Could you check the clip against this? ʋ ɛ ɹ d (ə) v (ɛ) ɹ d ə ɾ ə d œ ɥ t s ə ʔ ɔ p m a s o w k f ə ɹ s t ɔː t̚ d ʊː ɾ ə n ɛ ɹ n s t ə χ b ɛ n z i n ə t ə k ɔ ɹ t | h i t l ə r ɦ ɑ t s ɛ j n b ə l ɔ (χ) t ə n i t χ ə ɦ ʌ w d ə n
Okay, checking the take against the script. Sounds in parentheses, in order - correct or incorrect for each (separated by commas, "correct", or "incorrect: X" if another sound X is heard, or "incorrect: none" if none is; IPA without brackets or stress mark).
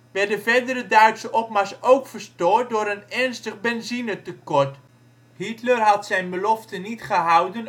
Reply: correct, correct, incorrect: f